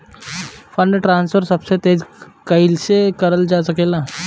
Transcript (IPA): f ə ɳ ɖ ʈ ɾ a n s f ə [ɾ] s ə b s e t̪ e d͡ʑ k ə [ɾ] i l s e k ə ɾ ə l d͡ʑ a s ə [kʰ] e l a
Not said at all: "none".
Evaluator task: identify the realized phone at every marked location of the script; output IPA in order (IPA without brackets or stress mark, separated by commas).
ɾ, none, k